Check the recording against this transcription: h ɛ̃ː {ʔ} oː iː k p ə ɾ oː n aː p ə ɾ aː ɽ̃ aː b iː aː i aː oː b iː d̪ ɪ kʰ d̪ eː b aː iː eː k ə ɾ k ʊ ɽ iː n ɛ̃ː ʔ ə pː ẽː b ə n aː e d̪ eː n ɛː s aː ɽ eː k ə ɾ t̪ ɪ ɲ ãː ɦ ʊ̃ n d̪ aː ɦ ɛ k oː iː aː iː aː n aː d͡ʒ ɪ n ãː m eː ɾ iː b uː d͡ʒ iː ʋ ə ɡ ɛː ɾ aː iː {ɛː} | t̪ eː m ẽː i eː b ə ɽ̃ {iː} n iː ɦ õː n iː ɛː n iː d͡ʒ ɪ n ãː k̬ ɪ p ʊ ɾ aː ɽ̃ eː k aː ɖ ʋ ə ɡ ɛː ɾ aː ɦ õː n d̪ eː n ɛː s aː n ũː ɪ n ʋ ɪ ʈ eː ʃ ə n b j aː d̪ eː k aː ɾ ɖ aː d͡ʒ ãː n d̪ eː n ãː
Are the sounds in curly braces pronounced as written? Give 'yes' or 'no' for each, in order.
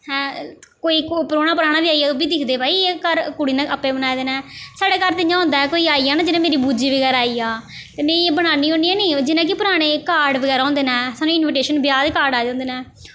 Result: no, no, no

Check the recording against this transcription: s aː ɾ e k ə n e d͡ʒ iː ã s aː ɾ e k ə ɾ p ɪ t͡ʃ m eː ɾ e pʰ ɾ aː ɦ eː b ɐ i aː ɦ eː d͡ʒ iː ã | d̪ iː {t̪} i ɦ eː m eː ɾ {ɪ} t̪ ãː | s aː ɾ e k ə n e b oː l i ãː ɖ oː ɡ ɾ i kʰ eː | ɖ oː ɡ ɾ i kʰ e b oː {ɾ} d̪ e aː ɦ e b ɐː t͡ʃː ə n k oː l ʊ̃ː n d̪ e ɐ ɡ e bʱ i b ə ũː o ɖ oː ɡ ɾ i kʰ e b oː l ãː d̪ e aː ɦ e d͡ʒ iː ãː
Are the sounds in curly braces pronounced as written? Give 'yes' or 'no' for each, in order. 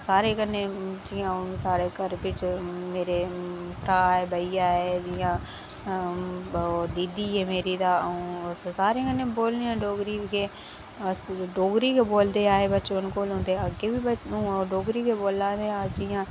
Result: no, no, no

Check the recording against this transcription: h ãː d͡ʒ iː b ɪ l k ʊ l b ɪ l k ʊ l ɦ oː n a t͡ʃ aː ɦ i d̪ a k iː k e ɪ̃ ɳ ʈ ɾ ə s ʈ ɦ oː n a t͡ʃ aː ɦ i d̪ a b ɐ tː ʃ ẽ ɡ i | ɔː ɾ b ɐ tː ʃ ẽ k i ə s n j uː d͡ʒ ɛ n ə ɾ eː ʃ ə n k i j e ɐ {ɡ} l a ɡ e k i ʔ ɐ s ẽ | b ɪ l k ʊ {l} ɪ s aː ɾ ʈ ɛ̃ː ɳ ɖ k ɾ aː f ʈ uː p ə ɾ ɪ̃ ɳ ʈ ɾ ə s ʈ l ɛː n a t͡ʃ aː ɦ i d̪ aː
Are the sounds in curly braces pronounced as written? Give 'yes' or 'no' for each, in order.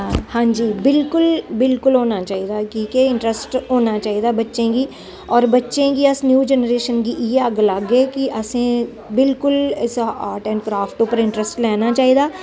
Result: yes, yes

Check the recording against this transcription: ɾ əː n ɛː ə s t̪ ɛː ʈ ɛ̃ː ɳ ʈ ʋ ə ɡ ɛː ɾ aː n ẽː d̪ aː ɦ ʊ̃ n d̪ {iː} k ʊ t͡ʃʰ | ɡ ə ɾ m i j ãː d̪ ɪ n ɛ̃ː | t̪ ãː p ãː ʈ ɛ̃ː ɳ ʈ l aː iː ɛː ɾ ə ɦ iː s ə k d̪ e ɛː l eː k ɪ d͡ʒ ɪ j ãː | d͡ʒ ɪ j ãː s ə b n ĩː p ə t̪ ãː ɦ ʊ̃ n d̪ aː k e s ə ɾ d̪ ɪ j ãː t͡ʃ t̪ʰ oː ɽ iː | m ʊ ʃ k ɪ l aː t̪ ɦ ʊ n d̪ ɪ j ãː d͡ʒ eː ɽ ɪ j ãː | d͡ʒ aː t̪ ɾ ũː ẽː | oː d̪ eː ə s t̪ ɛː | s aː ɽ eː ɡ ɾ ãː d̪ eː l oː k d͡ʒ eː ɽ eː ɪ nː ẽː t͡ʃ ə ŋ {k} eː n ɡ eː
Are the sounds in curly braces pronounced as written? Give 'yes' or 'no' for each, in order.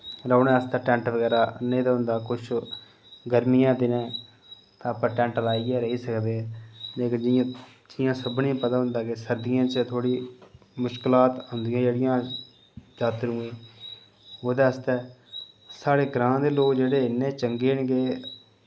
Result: no, no

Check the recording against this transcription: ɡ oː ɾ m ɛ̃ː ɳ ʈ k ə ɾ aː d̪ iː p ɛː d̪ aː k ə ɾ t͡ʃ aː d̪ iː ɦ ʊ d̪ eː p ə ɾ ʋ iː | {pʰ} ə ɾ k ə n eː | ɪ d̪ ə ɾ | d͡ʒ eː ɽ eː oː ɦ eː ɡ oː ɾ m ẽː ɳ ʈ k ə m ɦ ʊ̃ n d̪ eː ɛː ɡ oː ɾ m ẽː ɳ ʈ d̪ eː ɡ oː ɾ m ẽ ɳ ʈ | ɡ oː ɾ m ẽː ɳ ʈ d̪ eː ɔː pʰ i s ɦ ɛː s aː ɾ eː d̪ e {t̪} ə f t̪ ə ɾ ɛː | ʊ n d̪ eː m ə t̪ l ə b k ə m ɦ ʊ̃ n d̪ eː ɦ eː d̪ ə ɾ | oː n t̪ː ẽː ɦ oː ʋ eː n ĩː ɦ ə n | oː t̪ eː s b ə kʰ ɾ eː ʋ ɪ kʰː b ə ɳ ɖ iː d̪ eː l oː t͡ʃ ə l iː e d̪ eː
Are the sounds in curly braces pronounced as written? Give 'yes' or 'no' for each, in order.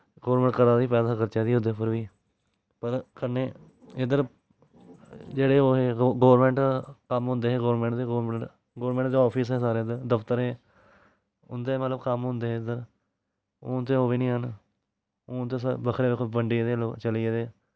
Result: no, no

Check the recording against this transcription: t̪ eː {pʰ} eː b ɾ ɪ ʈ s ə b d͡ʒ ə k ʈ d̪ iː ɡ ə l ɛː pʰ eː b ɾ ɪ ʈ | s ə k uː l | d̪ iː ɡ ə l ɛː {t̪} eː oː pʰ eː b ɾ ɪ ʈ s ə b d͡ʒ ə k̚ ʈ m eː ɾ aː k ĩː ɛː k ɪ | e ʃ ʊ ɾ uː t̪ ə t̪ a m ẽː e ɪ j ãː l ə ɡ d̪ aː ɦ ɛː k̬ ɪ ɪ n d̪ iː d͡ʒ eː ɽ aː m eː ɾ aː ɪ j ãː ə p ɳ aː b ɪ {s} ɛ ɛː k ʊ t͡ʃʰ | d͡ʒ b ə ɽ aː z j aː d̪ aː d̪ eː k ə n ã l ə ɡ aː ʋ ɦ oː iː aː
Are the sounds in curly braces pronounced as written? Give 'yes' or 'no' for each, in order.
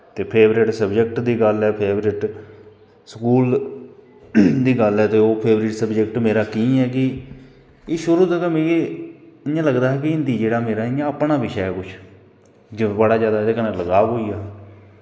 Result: yes, yes, no

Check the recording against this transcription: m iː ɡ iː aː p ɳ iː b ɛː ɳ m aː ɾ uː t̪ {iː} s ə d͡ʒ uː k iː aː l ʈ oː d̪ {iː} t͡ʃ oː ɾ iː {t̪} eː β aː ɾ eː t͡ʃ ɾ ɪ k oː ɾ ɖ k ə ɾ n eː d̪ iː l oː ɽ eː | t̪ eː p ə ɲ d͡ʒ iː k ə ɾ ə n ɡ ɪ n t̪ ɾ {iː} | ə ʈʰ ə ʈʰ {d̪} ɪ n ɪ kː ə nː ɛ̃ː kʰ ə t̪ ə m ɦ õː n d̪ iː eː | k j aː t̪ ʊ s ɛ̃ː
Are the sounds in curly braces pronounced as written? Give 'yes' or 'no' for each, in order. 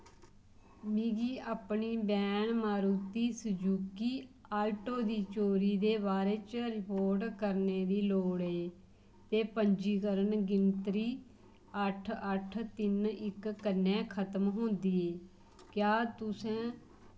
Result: yes, yes, no, yes, no

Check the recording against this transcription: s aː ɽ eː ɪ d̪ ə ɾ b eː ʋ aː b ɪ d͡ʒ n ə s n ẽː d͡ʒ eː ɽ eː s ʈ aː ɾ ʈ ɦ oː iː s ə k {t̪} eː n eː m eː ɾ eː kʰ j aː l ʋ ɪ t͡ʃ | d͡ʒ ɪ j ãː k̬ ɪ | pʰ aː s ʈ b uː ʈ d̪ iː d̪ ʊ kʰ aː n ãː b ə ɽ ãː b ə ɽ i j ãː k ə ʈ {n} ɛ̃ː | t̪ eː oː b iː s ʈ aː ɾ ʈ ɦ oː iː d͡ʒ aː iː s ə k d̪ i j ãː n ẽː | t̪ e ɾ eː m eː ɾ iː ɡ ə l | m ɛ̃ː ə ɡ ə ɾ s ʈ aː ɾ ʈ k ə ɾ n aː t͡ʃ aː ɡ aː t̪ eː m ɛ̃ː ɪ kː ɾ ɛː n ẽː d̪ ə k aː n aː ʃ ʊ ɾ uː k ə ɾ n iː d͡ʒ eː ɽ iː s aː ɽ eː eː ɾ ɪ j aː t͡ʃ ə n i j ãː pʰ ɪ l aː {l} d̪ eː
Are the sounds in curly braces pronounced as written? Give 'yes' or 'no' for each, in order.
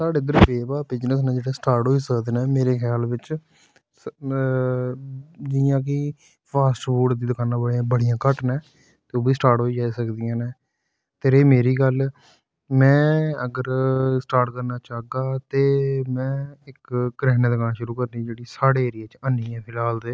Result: no, yes, yes

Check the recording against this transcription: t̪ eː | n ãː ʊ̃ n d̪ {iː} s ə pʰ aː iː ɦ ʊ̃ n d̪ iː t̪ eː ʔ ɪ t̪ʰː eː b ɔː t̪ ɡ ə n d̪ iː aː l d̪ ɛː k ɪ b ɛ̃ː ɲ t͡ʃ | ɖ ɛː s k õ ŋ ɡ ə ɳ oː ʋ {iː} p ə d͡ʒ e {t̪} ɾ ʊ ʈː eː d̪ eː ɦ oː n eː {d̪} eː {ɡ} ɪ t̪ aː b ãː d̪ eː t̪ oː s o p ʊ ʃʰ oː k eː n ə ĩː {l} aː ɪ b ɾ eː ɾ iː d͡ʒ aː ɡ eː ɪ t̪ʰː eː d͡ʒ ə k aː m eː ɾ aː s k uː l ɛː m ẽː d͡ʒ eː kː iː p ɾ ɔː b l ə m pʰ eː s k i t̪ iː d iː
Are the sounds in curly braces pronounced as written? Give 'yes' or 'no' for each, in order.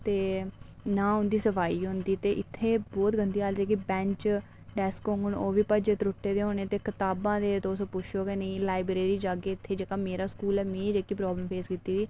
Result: yes, yes, yes, no, no, yes

